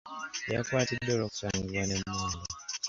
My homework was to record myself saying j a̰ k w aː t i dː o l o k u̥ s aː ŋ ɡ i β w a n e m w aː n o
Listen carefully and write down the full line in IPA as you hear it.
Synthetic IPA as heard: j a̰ k w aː t i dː o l o k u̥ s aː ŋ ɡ i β w a n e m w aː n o